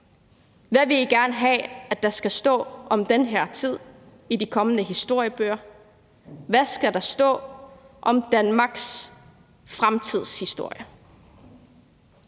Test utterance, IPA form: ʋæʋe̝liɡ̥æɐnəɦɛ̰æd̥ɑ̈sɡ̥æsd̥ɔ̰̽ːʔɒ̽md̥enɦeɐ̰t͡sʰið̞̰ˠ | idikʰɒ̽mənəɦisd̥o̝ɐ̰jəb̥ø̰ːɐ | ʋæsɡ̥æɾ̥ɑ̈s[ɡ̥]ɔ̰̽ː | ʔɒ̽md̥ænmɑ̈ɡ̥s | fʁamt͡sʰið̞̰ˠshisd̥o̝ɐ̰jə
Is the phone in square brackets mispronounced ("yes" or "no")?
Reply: yes